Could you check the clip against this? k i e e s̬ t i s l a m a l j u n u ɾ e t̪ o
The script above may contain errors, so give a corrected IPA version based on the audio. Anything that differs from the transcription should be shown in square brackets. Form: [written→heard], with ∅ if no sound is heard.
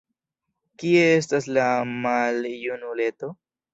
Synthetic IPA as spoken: k i e e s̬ t [i→a] s l a m a l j u n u [ɾ→l] e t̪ o

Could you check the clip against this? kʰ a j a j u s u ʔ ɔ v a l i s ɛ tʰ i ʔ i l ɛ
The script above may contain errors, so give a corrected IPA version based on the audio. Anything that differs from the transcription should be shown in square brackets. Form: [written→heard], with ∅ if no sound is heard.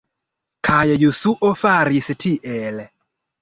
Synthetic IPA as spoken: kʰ a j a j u s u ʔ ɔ [v→f] a [l→ɾ] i s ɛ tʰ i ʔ [i→ɛ] l ɛ

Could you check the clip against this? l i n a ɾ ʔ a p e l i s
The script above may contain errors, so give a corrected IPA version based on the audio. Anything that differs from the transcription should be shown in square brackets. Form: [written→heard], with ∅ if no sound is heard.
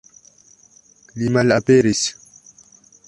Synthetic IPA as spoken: l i [n→m] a [ɾ→l] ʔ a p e [l→ɾ] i s

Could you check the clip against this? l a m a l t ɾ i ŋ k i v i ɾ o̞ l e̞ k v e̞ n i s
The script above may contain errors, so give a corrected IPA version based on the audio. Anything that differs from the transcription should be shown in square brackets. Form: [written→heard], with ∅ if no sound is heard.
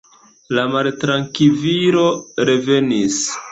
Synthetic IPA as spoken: l a m a l t ɾ [i→a] ŋ k i v i ɾ o̞ [l→ɾ] e̞ [k→∅] v e̞ n i s

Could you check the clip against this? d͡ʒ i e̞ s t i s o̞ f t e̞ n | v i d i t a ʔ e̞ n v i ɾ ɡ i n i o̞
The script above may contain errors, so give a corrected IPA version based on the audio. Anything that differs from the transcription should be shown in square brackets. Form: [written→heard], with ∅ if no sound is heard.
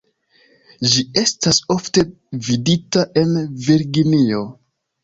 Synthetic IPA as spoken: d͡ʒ i e̞ s t [i→a] s o̞ f t e̞ [n→∅] | v i d i t a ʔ e̞ n v i ɾ ɡ i n i o̞

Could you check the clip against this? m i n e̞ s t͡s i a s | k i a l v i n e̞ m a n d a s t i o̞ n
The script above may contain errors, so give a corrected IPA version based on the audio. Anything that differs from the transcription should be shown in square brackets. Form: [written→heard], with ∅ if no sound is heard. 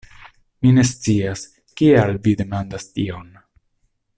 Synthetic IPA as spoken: m i n e̞ s t͡s i a s | k i a l v i [n→d] e̞ m a n d a s t i o̞ n

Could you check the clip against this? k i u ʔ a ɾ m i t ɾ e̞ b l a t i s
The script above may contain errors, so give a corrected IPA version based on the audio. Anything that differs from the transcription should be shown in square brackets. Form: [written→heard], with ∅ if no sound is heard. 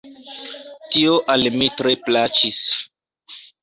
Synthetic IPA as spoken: [k→t] i [u→o] ʔ a [ɾ→l] m i t ɾ e̞ [b→p] l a [t→t͡ʃ] i s

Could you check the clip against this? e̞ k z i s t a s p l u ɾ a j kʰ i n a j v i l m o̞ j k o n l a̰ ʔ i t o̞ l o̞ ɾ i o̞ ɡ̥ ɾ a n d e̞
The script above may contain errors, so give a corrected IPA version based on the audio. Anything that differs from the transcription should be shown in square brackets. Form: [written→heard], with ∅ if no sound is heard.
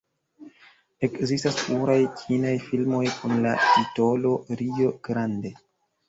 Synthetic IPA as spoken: e̞ k z i s t a s p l u ɾ a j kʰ i n a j [v→f] i l m o̞ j k [o→u] n l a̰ [ʔ→t] i t o̞ l o̞ ɾ i o̞ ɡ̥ ɾ a n d e̞

